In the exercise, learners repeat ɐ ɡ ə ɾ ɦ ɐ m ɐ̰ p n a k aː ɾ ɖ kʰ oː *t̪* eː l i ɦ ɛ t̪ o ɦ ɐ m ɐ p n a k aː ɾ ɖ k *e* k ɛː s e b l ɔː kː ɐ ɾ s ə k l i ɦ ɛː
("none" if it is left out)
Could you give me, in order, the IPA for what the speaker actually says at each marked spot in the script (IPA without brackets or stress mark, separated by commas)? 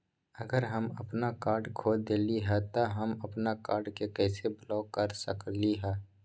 d̪, e